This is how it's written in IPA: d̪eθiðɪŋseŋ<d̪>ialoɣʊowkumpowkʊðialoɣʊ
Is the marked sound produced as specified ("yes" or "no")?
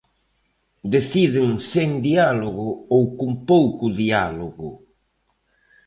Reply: yes